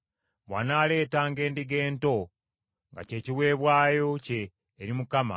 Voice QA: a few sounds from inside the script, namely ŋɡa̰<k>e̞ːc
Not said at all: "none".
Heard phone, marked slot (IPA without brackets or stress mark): c